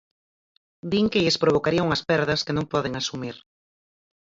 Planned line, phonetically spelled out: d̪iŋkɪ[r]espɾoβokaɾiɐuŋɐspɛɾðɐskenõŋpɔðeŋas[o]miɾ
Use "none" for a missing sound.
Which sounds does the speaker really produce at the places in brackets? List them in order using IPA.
ʎ, u

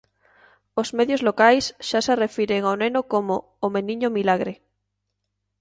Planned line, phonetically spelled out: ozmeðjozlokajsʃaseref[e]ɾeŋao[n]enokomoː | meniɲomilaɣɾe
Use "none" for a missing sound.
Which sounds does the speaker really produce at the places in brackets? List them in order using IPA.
i, n

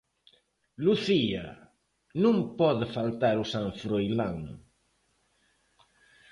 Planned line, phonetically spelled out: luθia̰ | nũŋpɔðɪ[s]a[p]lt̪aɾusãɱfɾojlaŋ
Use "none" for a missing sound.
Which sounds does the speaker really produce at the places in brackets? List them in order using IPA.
f, none

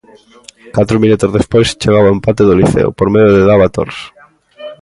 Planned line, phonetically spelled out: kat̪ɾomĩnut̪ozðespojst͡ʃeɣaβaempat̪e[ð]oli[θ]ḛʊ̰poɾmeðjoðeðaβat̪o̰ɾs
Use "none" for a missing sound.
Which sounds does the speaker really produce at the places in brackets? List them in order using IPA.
ð, θ

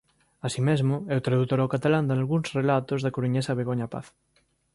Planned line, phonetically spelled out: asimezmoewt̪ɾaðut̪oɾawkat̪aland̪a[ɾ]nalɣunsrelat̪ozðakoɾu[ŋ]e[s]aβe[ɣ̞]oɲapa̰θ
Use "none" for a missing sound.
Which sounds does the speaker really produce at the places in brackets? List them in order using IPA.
none, ɲ, s, ɣ̞

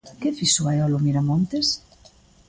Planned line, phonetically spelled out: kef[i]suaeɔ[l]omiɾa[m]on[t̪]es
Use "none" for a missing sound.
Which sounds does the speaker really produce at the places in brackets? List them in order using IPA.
i, l, m, t̪

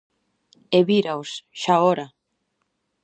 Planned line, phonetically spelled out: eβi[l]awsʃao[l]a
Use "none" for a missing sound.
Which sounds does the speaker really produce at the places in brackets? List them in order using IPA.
ɾ, ɾ

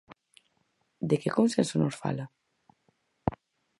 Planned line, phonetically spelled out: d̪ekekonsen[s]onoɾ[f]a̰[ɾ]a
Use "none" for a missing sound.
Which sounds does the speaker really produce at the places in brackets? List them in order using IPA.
s, f, l

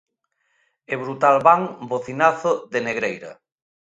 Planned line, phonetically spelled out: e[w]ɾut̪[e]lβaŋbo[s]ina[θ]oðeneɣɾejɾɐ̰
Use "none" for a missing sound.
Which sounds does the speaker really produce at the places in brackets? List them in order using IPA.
β, a, θ, θ

